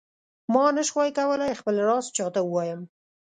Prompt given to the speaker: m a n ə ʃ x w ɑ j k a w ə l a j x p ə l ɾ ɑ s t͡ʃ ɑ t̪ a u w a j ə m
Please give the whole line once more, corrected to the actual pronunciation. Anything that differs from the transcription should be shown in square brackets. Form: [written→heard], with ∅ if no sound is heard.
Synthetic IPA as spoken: m [a→ɑ] n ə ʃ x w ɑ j k a w ə l a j x p ə l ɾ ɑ s t͡ʃ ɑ t̪ a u w [a→ɑ] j ə m